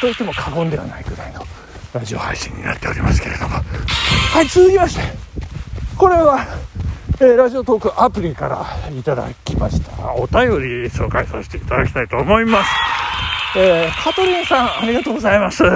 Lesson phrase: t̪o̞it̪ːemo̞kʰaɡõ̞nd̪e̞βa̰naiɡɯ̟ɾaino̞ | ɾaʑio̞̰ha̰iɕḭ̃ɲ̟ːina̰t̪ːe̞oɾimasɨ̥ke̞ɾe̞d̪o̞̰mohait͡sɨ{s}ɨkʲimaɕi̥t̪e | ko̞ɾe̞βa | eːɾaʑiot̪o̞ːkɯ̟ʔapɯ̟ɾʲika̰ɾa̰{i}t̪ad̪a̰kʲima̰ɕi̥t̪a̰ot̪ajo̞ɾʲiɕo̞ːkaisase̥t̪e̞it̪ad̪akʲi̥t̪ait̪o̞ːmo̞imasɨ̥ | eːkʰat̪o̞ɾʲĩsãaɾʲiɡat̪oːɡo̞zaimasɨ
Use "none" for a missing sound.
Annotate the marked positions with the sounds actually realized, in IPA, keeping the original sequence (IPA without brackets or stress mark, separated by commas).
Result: z, i